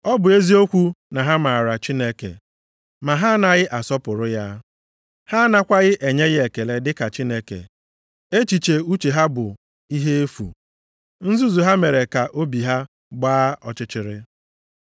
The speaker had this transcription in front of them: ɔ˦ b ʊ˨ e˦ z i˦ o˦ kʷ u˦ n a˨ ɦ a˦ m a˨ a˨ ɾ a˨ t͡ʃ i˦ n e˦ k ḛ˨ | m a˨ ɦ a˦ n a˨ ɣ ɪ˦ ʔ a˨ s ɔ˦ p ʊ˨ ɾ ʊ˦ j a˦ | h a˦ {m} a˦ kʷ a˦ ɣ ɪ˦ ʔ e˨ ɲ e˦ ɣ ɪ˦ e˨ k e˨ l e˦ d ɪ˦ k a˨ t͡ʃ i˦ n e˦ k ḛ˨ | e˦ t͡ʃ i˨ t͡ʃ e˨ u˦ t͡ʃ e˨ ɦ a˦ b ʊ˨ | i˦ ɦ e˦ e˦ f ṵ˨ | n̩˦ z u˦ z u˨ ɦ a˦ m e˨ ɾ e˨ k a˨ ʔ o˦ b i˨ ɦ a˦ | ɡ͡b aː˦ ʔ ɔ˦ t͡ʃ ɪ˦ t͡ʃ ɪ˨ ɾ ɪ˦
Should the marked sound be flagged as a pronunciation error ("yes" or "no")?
yes